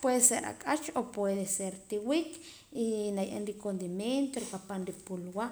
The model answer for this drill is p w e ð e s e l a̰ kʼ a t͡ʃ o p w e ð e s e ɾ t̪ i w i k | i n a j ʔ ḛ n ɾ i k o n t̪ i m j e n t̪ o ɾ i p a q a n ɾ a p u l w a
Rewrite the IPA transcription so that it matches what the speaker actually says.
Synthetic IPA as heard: p w e ð e s e ɾ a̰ kʼ a t͡ʃ o p w e ð e s e ɾ t̪ i w i k | i n a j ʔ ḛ n ɾ i k o n d̪ i m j e n t̪ o ɾ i p a p a n ɾ i p u l w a